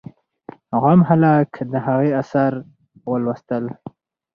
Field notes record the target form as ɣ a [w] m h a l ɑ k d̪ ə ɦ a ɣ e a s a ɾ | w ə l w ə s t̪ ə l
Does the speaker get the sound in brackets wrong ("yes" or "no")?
yes